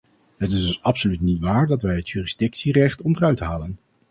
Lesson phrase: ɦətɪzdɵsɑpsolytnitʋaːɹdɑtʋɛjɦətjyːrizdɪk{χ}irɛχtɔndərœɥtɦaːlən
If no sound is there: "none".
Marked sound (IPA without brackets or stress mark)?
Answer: s